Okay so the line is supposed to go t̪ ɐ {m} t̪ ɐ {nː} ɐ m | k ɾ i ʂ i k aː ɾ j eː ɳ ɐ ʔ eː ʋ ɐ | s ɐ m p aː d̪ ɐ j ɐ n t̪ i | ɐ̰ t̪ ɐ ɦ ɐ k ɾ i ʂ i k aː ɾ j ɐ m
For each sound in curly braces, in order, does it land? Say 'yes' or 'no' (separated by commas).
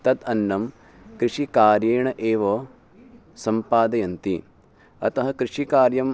no, yes